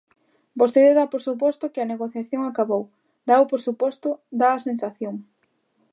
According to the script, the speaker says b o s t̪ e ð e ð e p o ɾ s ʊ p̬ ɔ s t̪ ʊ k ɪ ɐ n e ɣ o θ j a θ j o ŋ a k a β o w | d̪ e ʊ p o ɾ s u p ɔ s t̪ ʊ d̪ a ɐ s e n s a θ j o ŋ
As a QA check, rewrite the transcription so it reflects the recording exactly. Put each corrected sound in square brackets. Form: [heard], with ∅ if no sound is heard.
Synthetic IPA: b o s t̪ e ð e ð [a] p o ɾ s [u] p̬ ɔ s t̪ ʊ k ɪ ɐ n e ɣ o θ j a θ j o ŋ a k a β o w | d̪ [a] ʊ p o ɾ s u p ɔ s t̪ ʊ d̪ a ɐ s e n s a θ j o ŋ